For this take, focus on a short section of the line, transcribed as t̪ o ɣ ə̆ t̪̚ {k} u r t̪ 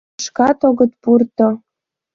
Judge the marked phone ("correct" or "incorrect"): incorrect